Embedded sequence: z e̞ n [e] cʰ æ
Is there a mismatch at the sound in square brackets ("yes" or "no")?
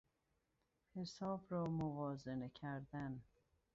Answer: no